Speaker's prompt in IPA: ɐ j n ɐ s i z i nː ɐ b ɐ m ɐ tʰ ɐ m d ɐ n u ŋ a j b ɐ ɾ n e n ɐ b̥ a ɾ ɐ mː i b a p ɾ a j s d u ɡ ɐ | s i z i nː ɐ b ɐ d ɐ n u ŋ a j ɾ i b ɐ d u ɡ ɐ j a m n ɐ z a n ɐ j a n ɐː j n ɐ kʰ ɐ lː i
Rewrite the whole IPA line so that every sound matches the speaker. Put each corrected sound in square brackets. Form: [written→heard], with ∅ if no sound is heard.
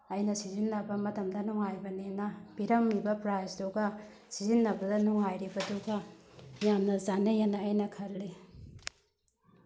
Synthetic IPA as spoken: ɐ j n ɐ s i z i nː ɐ b ɐ m ɐ [tʰ→t] ɐ m d ɐ n u ŋ a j b ɐ [ɾ→∅] n e n ɐ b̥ [a→i] ɾ ɐ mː i b [a→ɐ] p ɾ a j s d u ɡ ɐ | s i z i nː ɐ b ɐ d ɐ n u ŋ a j ɾ i b ɐ d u ɡ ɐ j a m n ɐ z a n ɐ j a n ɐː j n ɐ kʰ ɐ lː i